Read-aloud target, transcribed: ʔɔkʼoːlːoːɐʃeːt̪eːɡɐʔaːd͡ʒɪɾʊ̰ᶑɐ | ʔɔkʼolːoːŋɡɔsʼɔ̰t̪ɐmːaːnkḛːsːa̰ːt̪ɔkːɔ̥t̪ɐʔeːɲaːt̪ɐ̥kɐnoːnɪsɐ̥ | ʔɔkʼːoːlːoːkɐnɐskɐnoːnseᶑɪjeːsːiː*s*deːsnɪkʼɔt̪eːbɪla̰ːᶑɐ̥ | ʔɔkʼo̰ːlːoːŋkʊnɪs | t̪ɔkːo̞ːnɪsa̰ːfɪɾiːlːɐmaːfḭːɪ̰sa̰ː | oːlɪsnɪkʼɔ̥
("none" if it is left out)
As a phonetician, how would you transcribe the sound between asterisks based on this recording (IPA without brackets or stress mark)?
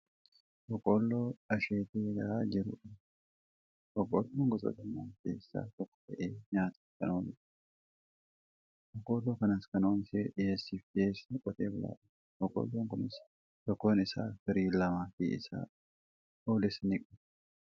f